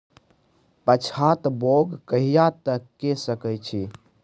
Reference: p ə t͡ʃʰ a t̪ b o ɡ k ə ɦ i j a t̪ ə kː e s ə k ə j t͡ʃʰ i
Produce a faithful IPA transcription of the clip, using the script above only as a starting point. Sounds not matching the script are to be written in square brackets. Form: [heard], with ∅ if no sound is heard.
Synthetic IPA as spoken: p ə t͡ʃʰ a t̪ b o ɡ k ə ɦ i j a t̪ ə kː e s ə k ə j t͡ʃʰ i